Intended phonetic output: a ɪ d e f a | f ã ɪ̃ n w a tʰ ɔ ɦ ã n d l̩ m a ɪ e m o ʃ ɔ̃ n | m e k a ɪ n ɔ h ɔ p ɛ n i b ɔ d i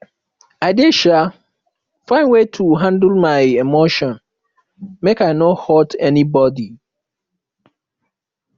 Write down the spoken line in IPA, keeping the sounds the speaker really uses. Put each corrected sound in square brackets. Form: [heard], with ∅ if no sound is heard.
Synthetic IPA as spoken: a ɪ d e [ʃ] a | f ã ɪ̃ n w [e] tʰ [u] ɦ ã n d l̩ m a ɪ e m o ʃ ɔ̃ n | m e k a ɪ n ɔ h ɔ [t] ɛ n i b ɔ d i